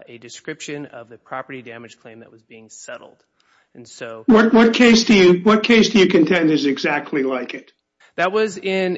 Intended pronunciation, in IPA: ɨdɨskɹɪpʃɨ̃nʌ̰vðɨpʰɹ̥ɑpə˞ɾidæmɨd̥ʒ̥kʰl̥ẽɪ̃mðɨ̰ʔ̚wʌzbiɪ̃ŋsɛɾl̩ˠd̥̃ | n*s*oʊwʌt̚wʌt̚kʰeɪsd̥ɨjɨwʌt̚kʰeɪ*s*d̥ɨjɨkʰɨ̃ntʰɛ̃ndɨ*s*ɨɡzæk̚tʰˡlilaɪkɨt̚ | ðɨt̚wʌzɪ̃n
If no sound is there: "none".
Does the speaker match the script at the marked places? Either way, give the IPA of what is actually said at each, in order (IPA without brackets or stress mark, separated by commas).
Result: s, s, z